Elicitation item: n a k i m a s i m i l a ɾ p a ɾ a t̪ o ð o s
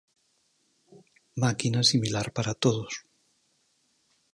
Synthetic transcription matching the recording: m a k i n a s i m i l a ɾ p a ɾ a t̪ o ð o s